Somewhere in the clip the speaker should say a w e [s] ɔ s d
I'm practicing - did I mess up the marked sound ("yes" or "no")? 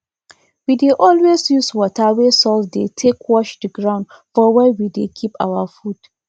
no